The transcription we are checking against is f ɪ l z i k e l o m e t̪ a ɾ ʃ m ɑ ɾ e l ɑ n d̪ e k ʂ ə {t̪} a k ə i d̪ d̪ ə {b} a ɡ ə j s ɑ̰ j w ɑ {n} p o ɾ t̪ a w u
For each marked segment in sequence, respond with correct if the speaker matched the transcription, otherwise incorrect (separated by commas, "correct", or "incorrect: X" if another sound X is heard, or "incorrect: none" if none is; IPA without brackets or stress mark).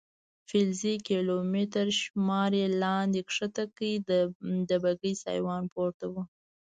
correct, correct, correct